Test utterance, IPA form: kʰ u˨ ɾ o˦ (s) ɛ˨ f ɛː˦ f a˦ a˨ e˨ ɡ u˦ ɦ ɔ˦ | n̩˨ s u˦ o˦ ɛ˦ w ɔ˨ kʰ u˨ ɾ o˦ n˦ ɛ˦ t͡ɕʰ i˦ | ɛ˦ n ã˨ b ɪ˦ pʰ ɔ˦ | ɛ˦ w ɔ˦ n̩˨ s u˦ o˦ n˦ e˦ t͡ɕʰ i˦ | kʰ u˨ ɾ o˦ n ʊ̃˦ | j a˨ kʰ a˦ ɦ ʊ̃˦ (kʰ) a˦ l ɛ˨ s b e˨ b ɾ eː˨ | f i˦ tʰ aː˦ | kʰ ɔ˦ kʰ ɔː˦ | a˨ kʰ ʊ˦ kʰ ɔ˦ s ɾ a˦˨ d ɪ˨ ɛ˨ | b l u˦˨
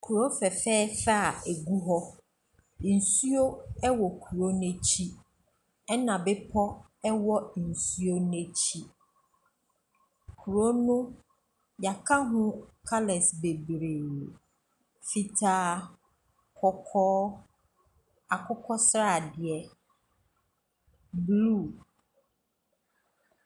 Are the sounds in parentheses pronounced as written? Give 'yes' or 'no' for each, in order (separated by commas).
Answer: no, yes